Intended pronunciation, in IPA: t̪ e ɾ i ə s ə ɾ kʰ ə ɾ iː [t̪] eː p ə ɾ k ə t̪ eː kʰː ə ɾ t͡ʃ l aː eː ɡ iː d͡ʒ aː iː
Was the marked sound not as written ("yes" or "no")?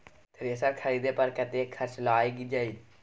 yes